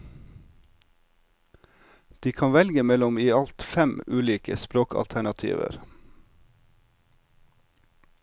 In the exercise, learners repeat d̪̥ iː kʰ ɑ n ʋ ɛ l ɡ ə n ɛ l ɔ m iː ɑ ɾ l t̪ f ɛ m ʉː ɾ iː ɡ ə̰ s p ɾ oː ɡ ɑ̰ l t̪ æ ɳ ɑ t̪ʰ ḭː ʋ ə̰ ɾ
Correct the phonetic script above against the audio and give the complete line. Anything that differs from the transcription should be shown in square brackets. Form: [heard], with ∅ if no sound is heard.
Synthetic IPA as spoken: d̪̥ iː kʰ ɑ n ʋ ɛ l ɡ ə [m] ɛ l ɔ m iː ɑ [∅] l t̪ f ɛ m ʉː [l] iː [k] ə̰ s p ɾ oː [k] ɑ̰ l [t̪ʰ] æ ɳ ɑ t̪ʰ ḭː ʋ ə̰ ɾ